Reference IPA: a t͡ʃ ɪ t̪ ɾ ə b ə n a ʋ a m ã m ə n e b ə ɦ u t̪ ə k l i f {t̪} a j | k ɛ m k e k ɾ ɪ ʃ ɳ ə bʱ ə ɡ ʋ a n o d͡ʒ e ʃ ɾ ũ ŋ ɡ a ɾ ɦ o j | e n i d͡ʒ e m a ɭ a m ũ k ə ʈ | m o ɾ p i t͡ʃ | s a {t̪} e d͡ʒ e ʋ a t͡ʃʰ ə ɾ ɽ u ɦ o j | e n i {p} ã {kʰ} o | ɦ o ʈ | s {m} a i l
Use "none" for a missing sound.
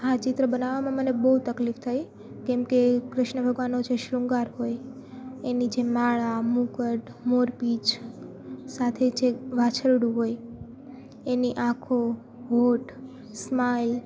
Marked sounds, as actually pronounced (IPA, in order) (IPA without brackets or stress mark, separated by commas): t̪ʰ, t̪ʰ, ʔ, kʰ, m